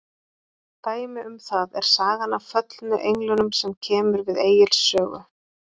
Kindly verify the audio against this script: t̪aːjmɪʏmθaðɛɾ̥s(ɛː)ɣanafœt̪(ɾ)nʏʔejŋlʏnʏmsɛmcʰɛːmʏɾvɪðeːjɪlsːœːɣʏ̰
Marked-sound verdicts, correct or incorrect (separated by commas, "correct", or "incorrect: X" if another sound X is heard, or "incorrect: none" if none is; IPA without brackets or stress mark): incorrect: aː, incorrect: l